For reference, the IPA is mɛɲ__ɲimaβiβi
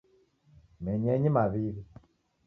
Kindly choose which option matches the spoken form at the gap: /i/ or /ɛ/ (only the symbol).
ɛ